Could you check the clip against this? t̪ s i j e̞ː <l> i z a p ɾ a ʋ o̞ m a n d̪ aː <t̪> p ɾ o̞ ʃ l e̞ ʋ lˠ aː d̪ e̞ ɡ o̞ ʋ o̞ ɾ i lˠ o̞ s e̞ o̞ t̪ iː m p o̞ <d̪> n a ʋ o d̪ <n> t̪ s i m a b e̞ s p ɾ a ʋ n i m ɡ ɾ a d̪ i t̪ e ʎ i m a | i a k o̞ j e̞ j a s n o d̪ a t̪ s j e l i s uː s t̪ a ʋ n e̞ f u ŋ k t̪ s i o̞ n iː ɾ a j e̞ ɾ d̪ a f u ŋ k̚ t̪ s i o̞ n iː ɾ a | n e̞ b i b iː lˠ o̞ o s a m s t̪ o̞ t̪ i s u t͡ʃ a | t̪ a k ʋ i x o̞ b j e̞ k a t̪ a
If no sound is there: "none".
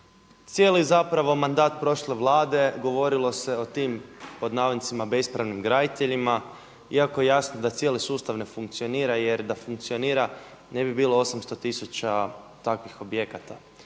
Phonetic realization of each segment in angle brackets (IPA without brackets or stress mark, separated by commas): l, t̪, d̪, n